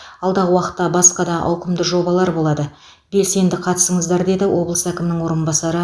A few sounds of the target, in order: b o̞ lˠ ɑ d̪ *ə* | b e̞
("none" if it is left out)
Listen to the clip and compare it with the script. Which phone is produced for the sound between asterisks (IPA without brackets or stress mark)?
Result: ə